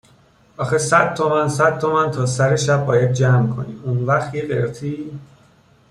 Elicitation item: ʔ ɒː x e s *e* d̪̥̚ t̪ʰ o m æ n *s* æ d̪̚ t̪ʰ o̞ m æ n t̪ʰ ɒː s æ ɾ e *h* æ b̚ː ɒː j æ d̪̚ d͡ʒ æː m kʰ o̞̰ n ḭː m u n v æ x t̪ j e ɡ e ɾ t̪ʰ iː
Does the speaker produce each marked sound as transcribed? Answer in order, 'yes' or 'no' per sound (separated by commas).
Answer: no, yes, no